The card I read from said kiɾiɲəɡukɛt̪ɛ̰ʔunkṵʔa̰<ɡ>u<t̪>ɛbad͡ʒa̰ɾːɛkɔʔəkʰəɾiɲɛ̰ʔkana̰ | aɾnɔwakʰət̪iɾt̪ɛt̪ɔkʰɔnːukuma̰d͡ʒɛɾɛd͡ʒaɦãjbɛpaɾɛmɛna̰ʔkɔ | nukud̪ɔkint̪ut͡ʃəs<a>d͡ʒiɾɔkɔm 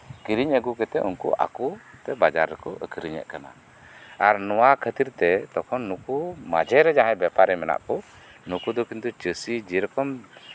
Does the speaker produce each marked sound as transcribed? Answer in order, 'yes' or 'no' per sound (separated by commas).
no, yes, no